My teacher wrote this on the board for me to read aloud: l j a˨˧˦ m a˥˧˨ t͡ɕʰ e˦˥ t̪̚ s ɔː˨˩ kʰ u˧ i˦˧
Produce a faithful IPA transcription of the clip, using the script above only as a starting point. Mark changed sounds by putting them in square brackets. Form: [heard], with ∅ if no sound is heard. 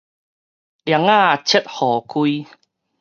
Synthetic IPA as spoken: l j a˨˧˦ [ŋ] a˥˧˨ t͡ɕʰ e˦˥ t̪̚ [h] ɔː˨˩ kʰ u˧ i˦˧